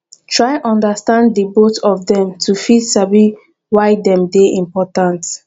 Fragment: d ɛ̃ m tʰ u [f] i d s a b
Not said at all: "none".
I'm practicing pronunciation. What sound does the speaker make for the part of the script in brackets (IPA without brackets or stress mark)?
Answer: f